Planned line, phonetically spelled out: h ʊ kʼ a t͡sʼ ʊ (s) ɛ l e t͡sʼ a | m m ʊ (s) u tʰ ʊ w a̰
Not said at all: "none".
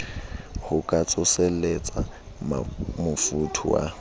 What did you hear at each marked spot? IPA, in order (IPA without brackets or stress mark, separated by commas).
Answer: s, f